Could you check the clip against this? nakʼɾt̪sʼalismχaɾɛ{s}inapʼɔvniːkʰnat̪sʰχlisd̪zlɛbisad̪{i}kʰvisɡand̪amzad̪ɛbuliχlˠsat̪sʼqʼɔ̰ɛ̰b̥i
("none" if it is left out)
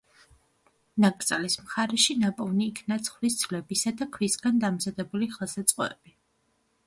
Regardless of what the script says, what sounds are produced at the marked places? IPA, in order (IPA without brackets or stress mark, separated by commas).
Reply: ʃ, a